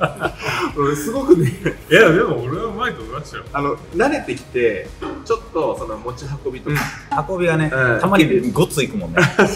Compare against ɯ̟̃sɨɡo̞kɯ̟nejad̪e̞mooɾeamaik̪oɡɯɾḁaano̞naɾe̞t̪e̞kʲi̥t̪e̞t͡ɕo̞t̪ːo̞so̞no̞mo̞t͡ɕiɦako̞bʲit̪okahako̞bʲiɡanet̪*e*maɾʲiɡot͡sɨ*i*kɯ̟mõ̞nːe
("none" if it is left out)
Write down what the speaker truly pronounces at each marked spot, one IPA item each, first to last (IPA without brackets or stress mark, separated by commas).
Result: a, i